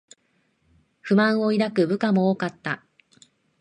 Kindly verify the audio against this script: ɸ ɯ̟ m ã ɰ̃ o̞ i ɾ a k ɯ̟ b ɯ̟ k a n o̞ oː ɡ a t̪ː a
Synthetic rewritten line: ɸ ɯ̟ m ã ɰ̃ o̞ i ɾ a k ɯ̟ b ɯ̟ k a m o̞ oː k a t̪ː a